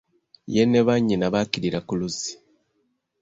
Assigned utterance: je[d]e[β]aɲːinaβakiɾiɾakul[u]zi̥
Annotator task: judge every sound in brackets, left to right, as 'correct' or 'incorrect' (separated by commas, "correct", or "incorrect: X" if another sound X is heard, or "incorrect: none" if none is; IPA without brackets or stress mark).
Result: incorrect: n, correct, correct